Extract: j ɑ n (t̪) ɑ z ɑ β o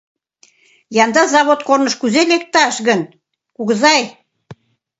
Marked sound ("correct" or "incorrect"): incorrect